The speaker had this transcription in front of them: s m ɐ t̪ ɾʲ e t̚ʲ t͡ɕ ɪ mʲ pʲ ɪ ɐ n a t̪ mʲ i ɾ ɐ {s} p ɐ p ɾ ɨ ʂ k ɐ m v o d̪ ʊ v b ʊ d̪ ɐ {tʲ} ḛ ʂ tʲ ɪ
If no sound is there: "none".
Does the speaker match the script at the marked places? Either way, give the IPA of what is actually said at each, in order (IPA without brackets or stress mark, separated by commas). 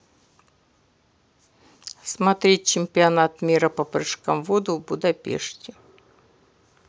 none, pʲ